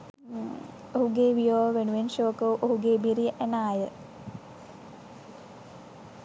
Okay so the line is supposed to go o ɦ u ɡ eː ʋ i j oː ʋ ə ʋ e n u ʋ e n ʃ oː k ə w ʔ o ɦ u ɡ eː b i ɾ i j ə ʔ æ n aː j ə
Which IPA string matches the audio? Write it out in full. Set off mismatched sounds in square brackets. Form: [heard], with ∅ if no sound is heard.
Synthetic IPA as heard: o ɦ u ɡ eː ʋ i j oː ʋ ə ʋ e n u ʋ e n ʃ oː k ə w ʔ o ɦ u ɡ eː b i ɾ i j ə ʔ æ n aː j ə